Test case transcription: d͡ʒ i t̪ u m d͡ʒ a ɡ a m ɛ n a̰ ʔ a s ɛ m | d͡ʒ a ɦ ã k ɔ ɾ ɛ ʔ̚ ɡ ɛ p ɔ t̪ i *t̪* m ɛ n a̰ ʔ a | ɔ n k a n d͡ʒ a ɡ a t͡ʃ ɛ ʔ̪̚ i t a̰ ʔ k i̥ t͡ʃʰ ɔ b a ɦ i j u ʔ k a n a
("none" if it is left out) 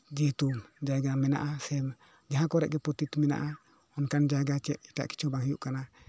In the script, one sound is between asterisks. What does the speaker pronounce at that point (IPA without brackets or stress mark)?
t̪